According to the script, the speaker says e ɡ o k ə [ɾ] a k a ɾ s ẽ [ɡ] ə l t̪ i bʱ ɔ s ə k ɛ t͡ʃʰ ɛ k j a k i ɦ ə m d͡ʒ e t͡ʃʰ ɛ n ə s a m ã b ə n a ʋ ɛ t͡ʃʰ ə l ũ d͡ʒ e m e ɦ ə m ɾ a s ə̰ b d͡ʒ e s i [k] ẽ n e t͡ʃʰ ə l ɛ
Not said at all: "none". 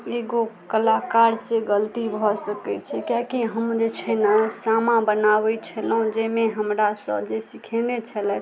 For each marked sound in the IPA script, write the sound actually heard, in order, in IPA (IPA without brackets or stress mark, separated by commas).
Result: l, ɡ, kʰ